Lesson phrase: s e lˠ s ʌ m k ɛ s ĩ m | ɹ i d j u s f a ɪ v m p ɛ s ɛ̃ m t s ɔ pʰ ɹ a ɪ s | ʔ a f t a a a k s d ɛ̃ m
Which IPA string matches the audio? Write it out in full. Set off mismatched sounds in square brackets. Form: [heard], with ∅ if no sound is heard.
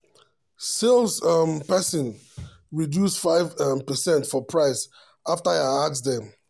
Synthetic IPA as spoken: s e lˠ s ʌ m [p] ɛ s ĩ [n] | ɹ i d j u s f a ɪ v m p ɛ s ɛ̃ [n] t [f] ɔ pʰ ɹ a ɪ s | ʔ a f t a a a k s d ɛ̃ m

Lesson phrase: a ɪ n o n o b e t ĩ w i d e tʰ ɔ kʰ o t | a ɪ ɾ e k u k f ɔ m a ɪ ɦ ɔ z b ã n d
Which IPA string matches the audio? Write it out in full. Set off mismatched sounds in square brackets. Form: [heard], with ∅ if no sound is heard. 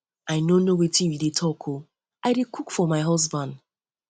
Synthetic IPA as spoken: a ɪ n o n o [w] e t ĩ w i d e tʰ ɔ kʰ o [∅] | a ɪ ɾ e k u k f ɔ m a ɪ ɦ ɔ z b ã n d

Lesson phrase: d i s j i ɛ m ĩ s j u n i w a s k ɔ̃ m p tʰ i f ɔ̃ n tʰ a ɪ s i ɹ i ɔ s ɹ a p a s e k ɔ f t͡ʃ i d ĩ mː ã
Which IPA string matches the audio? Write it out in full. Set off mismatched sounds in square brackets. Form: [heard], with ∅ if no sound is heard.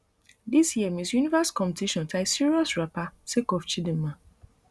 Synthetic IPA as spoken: d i s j i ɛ m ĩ s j u n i [v] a s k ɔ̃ m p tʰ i [ʃ] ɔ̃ n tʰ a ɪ s i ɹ i ɔ s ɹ a p a s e k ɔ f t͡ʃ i d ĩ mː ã

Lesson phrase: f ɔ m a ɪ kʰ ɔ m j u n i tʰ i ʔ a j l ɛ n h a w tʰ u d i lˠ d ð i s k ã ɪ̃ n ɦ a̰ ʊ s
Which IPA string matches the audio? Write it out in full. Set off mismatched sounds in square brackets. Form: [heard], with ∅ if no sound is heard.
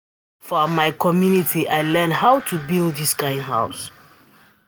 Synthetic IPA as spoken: f ɔ m a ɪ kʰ ɔ m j u n i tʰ i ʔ a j l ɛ n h a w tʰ u [b] i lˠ d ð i s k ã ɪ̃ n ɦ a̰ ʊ s

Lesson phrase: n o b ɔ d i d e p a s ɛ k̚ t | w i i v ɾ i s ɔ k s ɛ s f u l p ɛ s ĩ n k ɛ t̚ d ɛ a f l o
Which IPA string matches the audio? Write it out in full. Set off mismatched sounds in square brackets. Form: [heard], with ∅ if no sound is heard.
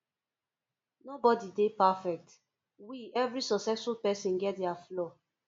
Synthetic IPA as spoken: n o b ɔ d i d e p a [f] ɛ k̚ t | w i [ɛ] v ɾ i s ɔ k s ɛ s f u l p ɛ s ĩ n [ɡ] ɛ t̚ d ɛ a f l [ɔ]

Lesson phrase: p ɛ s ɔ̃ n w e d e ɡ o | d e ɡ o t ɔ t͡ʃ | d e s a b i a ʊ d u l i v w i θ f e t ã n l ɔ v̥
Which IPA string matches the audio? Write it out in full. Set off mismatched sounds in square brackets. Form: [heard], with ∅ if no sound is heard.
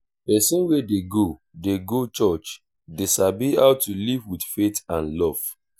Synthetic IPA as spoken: p ɛ s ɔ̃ n w e d e ɡ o | d e ɡ o [t͡ʃ] ɔ t͡ʃ | d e s a b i a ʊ [t] u l i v w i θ f e t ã n l ɔ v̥

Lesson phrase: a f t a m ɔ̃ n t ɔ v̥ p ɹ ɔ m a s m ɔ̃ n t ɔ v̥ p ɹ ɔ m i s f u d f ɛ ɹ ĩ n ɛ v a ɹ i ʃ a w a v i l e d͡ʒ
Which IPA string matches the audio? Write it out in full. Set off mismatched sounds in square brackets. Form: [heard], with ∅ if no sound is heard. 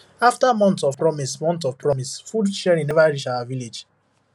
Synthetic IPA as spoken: a f t a m ɔ̃ n t ɔ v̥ p ɹ ɔ m [i] s m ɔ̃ n t ɔ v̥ p ɹ ɔ m i s f u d [ʃ] ɛ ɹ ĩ n ɛ v a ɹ i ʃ a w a v i l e d͡ʒ

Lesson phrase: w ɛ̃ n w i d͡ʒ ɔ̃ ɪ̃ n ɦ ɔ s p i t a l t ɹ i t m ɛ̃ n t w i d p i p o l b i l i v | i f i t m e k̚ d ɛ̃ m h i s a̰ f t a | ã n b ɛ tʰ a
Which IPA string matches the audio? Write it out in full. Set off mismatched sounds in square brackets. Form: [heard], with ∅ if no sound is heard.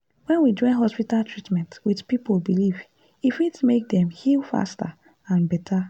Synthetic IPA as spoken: w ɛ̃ n w i d͡ʒ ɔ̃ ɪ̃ n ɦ ɔ s p i t a l t ɹ i t m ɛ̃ n t w i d p i p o l b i l i v | i f i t m e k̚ d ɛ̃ m h i [f] a̰ [s] t a | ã n b ɛ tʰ a

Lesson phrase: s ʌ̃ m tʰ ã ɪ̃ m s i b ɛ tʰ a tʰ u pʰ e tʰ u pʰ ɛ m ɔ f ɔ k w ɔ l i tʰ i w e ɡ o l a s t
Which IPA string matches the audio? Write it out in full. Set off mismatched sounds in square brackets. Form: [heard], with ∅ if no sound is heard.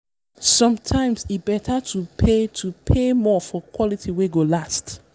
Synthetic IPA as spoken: s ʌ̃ m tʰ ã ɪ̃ m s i b ɛ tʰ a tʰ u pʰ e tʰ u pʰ [e] m ɔ f ɔ k w ɔ l i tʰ i w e ɡ o l a s t

